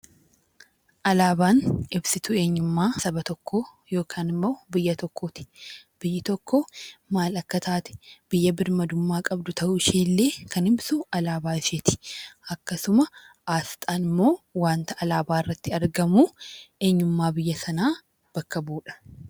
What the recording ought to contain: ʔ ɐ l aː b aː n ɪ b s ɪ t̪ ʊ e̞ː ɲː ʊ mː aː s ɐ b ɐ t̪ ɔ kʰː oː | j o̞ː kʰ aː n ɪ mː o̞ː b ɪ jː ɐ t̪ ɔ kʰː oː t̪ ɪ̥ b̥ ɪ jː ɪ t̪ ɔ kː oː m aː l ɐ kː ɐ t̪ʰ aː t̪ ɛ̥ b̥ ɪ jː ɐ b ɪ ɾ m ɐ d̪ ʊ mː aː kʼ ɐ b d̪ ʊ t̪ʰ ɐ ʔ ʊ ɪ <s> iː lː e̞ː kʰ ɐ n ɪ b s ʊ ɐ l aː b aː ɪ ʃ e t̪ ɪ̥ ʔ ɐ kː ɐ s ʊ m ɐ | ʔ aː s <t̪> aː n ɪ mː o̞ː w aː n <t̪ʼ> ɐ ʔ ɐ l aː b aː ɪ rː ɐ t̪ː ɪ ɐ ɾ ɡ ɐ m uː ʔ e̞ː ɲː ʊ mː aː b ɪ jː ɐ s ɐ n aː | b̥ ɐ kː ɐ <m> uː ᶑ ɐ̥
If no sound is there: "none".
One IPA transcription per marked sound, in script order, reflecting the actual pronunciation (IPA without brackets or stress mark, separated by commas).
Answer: ʃ, t̪ʼ, t̪, b